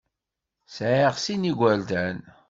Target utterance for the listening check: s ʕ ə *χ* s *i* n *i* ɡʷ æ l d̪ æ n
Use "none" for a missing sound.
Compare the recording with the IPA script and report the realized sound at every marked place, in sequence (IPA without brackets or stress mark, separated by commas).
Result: ʁ, i, i